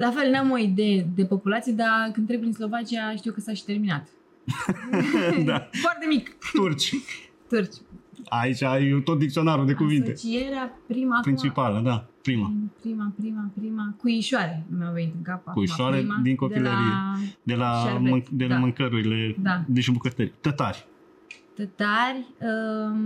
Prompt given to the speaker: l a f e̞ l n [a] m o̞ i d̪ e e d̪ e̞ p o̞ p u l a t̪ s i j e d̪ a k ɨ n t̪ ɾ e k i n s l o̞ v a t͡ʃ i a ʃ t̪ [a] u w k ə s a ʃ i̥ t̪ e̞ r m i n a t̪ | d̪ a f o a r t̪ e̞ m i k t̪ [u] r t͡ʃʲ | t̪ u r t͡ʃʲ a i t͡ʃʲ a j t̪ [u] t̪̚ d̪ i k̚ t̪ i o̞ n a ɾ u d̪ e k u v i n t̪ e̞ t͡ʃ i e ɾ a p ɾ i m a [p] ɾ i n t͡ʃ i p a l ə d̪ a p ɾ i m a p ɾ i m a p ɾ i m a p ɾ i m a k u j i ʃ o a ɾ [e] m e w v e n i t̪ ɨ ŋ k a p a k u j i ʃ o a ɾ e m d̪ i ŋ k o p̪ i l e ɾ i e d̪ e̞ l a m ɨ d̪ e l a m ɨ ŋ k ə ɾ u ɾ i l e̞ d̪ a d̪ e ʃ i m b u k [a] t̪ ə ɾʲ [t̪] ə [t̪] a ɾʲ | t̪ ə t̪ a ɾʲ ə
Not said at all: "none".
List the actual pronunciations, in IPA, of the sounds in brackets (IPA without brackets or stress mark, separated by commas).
a, i, u, o, p, e, ə, t̪, t̪